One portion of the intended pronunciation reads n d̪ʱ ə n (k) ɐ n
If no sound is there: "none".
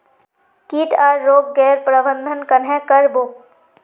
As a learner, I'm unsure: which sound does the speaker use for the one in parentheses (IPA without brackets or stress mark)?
k